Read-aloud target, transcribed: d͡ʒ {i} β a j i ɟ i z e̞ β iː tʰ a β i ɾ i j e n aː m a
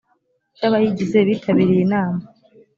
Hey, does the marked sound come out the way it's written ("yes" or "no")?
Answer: no